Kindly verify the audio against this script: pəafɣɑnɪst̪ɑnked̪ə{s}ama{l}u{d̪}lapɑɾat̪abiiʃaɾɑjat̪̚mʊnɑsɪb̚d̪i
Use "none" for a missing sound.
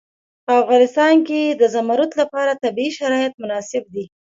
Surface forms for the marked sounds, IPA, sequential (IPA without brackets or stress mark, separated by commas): z, ɾ, t̪